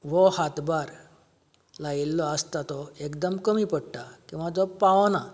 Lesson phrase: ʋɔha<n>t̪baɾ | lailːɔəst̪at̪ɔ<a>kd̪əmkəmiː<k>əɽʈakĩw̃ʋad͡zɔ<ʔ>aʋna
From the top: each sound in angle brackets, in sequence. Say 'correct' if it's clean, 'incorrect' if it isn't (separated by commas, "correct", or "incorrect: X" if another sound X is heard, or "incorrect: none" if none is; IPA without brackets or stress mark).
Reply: incorrect: none, incorrect: e, incorrect: p, incorrect: p